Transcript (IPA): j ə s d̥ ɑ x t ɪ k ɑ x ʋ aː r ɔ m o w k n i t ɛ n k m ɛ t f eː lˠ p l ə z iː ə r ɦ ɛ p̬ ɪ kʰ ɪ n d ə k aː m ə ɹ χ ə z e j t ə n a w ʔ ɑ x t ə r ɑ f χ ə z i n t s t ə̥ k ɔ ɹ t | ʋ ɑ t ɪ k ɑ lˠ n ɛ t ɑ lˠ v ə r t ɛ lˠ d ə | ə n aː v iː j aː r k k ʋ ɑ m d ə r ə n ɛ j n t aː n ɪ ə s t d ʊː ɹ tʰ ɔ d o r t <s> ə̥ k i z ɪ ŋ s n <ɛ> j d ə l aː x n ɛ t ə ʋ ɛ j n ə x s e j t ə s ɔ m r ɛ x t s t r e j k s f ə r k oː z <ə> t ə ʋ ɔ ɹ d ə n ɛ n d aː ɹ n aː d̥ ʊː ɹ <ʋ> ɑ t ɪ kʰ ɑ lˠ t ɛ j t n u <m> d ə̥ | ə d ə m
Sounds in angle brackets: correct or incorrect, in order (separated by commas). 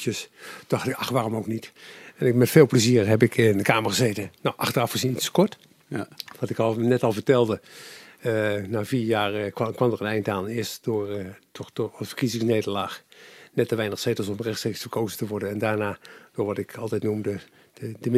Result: incorrect, incorrect, correct, correct, correct